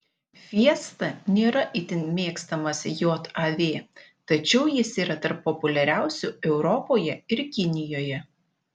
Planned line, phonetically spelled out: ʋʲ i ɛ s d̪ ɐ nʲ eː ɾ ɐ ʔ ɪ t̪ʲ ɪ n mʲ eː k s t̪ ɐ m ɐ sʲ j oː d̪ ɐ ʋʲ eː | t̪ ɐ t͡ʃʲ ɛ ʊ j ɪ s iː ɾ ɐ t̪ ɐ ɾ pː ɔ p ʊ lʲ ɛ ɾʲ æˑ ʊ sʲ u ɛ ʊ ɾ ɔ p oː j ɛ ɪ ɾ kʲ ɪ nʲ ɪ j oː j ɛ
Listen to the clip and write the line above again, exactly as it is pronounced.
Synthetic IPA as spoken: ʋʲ i ɛ s t̪ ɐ nʲ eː ɾ ɐ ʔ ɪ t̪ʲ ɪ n mʲ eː k s t̪ ɐ m ɐ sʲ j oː t̪ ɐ ʋʲ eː | t̪ ɐ t͡ʃʲ ɛ ʊ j ɪ s iː ɾ ɐ t̪ ɐ ɾ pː ɔ p ʊ lʲ ɛ ɾʲ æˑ ʊ sʲ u ɛ ʊ ɾ ɔ p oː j ɛ ɪ ɾ kʲ ɪ nʲ ɪ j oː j ɛ